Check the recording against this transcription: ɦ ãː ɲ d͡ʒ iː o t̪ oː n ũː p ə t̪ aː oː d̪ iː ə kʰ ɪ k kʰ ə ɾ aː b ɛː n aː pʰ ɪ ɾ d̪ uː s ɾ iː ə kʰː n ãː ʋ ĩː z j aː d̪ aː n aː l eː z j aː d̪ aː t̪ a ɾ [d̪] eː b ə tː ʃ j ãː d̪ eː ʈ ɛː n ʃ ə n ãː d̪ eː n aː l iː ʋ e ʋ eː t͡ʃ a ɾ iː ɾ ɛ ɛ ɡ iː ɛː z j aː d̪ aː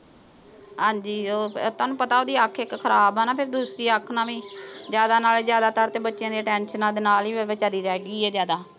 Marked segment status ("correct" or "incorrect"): incorrect